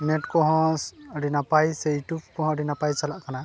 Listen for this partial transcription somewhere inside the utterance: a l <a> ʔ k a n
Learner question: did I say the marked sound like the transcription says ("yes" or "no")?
yes